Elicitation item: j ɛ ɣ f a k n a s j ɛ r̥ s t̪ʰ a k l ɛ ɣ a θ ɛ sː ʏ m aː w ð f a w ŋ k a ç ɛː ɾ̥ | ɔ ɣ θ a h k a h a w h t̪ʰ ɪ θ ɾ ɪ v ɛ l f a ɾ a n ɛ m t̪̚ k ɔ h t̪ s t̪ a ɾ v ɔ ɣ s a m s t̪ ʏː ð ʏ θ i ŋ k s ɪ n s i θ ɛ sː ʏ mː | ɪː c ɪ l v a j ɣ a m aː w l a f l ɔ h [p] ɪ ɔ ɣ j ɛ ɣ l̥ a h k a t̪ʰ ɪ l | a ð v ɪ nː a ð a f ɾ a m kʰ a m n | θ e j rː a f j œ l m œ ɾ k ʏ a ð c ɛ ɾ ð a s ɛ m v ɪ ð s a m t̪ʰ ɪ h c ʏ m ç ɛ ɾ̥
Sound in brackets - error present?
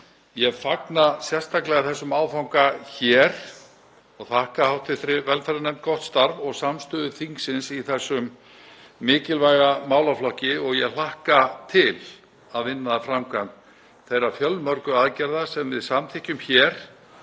yes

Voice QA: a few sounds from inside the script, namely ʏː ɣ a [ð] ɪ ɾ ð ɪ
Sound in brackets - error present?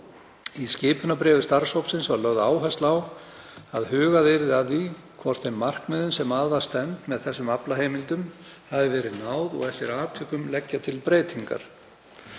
no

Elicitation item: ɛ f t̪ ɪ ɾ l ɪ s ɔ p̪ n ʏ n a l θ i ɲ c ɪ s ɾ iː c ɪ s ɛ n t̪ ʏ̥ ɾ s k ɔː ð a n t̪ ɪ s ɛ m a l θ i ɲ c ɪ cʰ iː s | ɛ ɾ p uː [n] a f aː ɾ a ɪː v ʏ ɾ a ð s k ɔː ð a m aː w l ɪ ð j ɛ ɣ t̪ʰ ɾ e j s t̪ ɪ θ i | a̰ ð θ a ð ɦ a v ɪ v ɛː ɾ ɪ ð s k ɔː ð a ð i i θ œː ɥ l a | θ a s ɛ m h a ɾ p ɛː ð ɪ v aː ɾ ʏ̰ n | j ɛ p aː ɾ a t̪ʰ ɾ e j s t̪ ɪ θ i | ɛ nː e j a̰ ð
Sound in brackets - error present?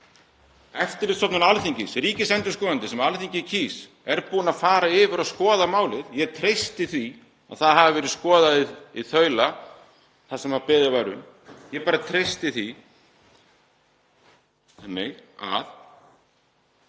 no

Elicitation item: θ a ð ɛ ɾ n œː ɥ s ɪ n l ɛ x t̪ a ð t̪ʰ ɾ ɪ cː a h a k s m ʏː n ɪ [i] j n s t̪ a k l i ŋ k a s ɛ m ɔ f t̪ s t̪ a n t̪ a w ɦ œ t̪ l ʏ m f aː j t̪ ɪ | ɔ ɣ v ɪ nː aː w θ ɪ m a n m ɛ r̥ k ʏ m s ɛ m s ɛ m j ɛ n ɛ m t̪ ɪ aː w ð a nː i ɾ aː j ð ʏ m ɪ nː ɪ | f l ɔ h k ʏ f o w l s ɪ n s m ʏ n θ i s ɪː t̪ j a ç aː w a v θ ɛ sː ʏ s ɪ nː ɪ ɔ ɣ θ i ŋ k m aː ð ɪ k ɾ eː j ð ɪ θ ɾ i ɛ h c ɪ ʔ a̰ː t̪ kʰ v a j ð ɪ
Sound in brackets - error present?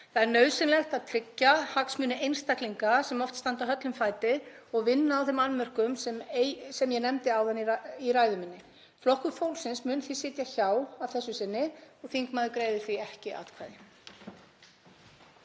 yes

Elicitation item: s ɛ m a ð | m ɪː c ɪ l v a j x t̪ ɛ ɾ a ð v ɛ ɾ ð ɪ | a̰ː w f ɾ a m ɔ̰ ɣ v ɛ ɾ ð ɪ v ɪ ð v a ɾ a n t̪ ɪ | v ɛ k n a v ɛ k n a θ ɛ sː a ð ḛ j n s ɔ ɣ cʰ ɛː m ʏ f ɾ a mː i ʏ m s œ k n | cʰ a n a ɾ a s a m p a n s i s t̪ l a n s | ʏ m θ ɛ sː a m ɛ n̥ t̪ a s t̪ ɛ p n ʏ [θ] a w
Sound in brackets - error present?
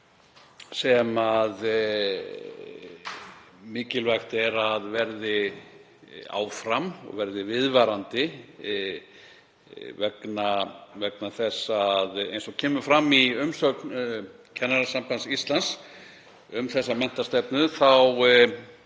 no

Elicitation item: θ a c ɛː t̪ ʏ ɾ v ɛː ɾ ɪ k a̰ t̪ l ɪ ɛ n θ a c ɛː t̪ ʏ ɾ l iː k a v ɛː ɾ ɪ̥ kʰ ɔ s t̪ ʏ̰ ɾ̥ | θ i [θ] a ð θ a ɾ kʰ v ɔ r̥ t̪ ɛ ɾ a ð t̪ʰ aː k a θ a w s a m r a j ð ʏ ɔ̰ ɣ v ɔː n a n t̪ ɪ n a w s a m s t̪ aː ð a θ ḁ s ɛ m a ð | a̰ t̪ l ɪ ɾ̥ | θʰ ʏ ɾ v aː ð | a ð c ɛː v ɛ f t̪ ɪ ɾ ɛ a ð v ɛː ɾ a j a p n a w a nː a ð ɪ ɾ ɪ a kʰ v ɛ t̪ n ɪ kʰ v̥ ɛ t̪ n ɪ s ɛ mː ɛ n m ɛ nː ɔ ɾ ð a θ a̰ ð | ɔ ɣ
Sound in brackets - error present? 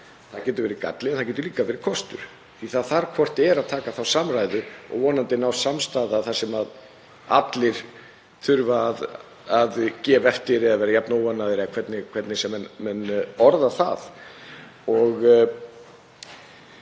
no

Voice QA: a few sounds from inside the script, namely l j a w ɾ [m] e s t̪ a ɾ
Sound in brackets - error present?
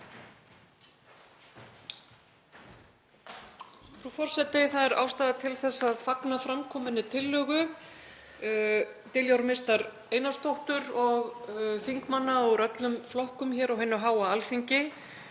no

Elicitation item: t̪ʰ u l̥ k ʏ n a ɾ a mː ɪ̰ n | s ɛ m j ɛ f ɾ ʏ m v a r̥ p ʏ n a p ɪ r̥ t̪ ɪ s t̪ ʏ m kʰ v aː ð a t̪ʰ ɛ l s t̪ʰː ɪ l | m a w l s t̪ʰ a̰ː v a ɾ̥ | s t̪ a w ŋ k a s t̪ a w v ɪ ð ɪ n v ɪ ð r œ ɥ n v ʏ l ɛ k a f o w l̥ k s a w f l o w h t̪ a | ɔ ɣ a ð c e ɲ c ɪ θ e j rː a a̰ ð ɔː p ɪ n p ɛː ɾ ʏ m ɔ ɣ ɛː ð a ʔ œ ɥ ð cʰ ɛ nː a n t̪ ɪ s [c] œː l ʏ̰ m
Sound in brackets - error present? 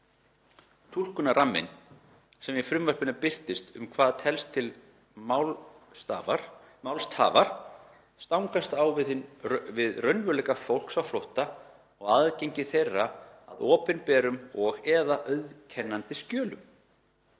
no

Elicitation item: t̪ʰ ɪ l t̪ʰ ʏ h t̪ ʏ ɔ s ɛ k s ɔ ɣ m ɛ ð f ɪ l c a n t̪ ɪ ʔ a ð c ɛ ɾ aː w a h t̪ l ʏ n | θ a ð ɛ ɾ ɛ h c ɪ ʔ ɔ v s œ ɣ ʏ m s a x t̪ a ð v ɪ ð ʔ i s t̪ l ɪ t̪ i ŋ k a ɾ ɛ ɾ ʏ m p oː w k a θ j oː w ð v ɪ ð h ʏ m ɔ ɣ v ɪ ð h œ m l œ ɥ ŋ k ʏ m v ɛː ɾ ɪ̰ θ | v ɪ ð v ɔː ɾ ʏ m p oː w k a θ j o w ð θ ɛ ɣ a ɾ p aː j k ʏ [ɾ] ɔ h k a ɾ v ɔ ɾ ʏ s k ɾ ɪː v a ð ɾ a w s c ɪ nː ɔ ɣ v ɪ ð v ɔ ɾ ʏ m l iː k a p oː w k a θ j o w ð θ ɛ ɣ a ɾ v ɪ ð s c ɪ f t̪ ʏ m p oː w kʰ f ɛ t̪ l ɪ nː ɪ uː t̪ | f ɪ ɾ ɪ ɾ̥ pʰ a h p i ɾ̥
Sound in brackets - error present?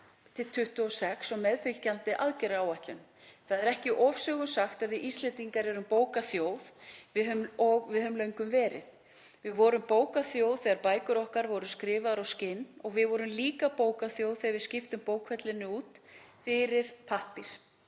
no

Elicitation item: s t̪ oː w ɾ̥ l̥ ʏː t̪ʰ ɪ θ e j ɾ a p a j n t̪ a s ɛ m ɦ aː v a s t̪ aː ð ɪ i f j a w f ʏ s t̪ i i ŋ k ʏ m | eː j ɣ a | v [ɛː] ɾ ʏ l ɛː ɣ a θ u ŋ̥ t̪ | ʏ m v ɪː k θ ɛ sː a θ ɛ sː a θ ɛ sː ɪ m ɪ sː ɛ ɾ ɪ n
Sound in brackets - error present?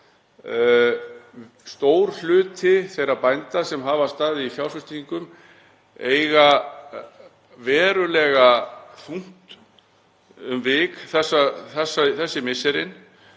no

